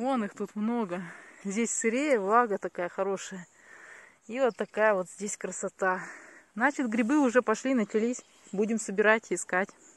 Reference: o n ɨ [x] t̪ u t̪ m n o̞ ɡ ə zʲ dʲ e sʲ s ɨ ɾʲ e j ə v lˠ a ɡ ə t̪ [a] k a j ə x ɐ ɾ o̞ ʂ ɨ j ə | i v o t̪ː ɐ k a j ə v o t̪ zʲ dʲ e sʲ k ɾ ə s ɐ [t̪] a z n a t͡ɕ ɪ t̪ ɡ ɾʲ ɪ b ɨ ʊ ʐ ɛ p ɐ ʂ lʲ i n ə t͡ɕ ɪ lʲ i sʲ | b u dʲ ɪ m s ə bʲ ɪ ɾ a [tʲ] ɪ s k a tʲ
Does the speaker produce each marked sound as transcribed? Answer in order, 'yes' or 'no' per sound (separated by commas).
yes, no, yes, yes